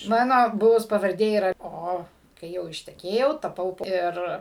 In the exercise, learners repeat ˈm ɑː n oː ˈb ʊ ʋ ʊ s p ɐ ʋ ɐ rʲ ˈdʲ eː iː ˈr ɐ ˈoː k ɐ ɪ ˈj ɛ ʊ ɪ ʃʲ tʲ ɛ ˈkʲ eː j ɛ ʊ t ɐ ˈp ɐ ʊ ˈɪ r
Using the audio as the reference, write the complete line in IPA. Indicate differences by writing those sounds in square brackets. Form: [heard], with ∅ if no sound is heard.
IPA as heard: ˈm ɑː n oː ˈb ʊ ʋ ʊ s p ɐ ʋ ɐ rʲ ˈdʲ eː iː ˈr ɐ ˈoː k ɐ ɪ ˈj ɛ ʊ ɪ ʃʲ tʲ ɛ ˈkʲ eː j ɛ ʊ t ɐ ˈp ɐ ʊ ˈɪ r